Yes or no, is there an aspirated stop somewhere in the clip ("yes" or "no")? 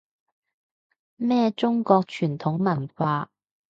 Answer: yes